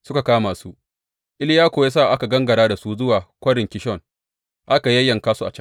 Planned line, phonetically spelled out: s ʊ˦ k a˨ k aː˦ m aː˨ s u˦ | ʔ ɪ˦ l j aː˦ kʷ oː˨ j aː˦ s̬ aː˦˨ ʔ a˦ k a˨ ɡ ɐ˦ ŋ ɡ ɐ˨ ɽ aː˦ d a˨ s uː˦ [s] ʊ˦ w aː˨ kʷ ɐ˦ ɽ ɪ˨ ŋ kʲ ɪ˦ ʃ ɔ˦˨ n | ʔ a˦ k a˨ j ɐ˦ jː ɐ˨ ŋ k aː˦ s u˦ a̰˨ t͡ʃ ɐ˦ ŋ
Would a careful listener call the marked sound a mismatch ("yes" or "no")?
yes